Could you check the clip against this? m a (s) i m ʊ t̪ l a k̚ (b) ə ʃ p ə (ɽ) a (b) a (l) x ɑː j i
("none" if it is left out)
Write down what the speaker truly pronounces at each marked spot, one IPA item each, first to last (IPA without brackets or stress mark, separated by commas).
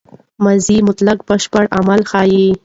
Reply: z, b, ɽ, m, l